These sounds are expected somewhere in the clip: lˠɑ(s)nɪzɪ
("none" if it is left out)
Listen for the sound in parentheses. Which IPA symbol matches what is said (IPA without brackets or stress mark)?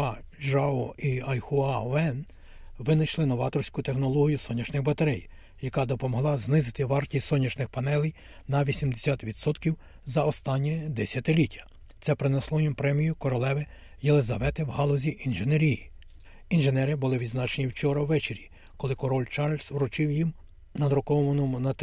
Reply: z